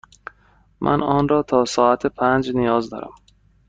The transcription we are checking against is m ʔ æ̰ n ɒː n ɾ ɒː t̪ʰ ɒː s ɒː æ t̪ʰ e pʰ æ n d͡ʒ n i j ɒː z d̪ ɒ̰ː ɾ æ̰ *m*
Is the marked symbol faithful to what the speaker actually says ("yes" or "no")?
yes